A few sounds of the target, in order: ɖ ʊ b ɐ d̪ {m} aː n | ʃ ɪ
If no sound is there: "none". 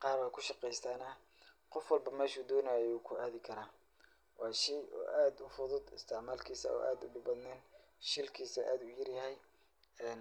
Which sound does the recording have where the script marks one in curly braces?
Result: n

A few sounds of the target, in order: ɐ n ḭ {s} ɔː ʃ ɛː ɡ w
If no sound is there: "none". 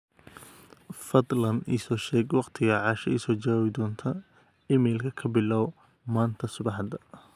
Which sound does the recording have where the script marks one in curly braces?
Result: s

